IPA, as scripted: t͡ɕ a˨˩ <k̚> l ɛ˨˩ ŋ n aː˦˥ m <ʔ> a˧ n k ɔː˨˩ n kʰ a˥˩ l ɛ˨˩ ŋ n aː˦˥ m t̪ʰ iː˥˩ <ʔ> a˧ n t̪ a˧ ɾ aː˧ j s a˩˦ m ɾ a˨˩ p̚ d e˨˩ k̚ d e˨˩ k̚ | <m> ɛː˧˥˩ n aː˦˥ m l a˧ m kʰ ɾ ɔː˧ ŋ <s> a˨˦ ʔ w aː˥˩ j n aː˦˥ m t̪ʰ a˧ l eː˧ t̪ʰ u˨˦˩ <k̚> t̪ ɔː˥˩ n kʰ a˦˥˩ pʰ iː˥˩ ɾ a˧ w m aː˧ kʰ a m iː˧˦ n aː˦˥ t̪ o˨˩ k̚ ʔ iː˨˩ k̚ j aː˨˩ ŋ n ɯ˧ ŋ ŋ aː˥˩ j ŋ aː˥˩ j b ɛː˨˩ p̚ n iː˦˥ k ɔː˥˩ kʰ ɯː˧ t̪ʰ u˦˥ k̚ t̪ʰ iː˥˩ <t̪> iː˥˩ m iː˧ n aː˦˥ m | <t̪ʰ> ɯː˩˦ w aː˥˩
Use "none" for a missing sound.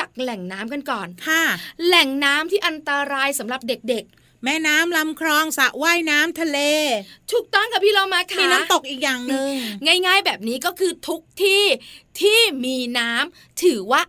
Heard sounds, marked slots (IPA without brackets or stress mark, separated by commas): k̚, k, ʔ, m, s, k̚, t̪ʰ, t̪ʰ